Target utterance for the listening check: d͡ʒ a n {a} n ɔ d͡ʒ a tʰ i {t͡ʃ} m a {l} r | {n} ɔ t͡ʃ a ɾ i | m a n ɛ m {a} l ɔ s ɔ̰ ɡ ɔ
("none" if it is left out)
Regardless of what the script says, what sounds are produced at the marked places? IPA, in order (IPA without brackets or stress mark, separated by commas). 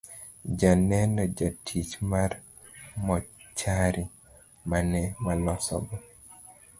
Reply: ɛ, t͡ʃ, none, m, a